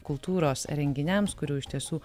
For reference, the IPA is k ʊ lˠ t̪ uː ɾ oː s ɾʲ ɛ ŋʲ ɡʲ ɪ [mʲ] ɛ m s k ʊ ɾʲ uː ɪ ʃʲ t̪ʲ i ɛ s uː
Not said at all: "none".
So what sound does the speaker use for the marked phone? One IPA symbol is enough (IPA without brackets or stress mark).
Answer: nʲ